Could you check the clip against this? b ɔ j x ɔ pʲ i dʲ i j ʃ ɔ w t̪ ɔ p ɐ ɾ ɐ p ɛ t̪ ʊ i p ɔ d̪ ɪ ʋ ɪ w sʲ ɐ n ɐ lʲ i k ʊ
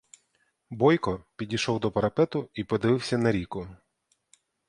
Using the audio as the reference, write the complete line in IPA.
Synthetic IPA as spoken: b ɔ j k ɔ pʲ i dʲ i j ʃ ɔ w d̪ ɔ p ɐ ɾ ɐ p ɛ t̪ ʊ i p ɔ d̪ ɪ ʋ ɪ w sʲ ɐ n ɐ ɾʲ i k ʊ